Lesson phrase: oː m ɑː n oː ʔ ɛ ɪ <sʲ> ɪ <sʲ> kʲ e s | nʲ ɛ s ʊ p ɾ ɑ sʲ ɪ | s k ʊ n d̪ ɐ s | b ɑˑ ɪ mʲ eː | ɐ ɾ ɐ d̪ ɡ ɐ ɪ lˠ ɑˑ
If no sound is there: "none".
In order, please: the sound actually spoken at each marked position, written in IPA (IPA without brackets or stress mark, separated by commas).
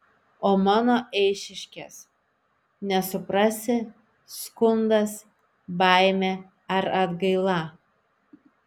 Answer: ʃʲ, ʃʲ